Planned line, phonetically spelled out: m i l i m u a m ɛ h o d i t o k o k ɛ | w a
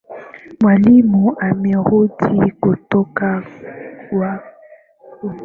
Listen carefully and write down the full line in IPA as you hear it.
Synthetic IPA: m a l i m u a m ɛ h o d i k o t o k a | w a